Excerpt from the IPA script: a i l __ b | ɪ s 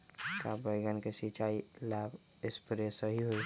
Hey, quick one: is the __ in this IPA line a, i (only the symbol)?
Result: a